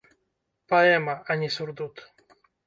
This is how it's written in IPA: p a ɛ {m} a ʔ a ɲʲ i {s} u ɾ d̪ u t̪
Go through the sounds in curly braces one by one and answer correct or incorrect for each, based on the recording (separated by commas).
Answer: correct, correct